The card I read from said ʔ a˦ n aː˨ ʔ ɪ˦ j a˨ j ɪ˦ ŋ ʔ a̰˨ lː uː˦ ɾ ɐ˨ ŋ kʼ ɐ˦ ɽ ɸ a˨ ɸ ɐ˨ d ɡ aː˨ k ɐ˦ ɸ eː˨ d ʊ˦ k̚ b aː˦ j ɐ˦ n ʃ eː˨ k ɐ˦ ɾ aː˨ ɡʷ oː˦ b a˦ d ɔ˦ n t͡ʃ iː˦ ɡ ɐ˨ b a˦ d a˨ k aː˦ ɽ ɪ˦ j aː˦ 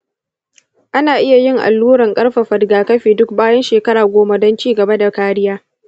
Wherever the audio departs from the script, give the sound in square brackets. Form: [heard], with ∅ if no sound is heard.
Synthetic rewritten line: ʔ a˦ n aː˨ ʔ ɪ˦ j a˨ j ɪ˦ ŋ ʔ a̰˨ lː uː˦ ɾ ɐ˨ ŋ kʼ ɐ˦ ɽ ɸ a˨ ɸ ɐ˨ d ɡ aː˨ k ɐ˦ ɸ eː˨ d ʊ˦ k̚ b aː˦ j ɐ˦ n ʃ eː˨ k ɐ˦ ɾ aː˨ ɡʷ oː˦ [m] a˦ d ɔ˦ n t͡ʃ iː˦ ɡ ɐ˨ b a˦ d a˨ k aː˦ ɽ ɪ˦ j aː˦